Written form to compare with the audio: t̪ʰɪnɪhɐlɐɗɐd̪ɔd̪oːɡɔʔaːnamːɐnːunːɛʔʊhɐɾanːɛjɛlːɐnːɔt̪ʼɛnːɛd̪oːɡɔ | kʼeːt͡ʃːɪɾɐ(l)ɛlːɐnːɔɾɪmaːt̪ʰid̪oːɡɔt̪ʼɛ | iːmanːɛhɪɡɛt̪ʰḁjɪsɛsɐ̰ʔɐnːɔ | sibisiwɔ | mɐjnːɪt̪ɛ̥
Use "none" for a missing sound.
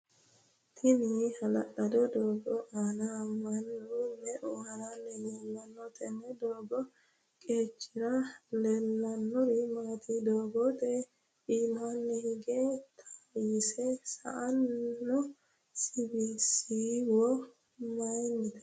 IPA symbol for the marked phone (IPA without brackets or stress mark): l